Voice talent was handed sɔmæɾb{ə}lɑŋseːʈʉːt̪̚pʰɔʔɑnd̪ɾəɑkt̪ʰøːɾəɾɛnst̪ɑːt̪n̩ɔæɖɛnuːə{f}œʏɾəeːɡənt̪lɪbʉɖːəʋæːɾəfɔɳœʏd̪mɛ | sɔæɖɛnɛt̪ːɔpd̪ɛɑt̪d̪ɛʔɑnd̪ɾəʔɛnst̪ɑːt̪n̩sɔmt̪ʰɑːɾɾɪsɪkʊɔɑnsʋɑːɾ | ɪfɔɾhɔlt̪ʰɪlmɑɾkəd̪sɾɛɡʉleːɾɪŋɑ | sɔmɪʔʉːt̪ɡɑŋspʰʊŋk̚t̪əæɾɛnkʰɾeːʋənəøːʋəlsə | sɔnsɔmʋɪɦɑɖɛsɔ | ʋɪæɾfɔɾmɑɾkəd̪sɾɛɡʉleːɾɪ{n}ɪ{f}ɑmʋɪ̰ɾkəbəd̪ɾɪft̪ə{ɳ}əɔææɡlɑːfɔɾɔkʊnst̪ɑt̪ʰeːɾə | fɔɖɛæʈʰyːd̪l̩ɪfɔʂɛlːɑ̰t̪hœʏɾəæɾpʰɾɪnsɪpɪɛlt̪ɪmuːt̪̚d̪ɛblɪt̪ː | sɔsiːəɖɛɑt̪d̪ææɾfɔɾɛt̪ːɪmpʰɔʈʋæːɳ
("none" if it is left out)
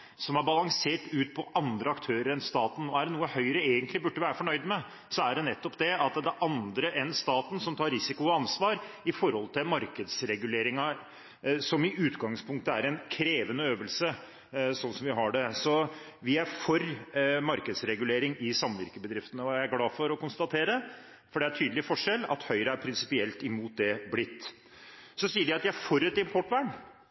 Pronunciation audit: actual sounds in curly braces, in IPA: ɑ, h, ŋ, s, n

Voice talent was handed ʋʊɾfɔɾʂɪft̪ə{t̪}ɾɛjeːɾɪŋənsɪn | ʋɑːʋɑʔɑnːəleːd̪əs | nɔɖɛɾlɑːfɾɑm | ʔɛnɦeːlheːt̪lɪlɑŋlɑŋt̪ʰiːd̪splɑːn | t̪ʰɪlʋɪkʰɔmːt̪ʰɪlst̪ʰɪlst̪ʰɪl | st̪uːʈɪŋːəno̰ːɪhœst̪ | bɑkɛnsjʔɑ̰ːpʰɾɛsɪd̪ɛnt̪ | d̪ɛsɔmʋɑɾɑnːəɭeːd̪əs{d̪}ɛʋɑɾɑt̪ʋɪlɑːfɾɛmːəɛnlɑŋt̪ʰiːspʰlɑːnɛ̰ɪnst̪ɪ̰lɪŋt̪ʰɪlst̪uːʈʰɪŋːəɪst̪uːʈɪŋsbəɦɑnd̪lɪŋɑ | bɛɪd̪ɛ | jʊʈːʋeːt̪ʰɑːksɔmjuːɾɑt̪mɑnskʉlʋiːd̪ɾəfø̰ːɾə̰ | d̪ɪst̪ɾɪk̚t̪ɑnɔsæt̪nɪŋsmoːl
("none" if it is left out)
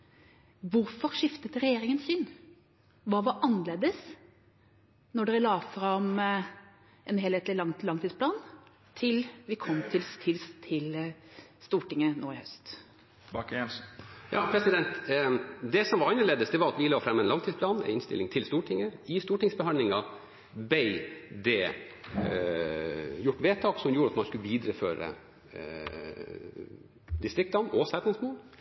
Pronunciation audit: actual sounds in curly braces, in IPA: t̪, d̪

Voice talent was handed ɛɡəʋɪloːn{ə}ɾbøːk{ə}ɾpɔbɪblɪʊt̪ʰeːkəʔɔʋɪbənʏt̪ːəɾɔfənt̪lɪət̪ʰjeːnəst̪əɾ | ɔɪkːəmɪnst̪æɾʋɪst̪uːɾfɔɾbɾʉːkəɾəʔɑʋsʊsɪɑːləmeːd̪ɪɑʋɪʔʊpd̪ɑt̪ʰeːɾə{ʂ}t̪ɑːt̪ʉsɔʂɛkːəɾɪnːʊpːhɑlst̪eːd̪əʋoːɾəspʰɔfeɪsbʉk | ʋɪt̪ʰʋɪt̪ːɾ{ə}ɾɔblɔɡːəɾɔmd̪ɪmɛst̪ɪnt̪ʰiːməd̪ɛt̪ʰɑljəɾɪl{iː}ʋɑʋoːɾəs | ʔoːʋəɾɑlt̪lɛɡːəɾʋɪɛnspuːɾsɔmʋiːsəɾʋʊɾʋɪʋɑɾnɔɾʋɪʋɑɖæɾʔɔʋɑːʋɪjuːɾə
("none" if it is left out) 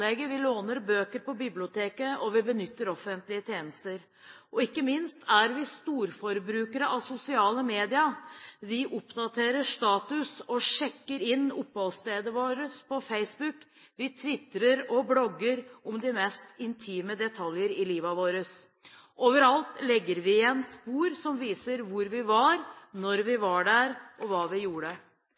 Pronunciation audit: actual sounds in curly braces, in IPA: ə, ə, ʂ, ə, iː

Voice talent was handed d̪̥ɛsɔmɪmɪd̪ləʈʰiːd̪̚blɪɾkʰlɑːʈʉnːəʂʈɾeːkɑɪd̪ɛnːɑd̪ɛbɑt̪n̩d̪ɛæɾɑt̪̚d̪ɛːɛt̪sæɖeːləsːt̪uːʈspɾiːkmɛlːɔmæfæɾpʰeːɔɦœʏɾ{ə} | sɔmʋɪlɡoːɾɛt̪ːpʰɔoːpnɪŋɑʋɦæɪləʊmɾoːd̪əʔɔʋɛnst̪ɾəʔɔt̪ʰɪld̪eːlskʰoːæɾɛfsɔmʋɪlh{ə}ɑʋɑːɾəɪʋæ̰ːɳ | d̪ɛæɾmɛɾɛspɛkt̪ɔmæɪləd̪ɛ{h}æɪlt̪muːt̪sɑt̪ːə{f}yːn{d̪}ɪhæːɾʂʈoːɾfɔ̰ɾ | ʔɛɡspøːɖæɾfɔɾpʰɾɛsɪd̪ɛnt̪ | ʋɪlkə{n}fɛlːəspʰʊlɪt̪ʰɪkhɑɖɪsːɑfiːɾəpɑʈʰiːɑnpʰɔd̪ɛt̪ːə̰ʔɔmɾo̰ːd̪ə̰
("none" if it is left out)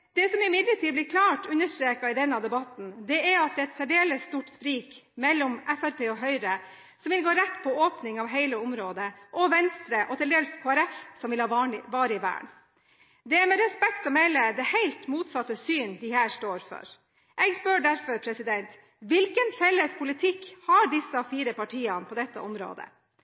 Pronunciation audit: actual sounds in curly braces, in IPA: ə, ɑ, h, s, d̪, n

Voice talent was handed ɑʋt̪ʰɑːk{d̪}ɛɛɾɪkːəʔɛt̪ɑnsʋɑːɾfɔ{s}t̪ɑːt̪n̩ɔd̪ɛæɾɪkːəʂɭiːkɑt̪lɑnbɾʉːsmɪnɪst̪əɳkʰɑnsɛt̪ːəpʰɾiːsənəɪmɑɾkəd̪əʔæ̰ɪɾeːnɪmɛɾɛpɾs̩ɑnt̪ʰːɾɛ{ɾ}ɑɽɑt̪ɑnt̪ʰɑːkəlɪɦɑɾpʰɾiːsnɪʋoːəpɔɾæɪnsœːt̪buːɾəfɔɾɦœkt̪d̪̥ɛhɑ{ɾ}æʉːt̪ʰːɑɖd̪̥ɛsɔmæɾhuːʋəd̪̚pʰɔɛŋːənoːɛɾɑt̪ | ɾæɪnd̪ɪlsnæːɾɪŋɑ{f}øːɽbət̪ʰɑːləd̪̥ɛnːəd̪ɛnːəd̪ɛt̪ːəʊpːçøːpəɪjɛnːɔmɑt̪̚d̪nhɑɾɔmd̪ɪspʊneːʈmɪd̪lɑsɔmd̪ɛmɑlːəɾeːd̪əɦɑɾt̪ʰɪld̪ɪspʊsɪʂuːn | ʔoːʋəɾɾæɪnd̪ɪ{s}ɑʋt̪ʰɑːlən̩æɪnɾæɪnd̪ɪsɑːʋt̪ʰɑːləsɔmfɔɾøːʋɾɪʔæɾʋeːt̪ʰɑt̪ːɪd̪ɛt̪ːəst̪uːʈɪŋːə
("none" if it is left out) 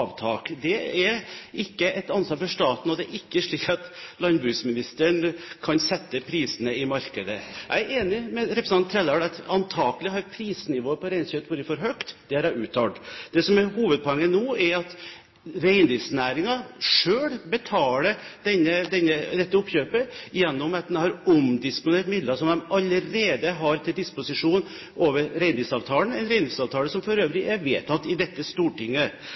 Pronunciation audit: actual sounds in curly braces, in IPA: d̪, ʂ, l, ɾ, ʂ, s

